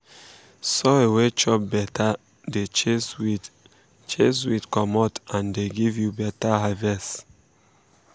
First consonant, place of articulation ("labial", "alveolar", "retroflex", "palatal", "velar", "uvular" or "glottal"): alveolar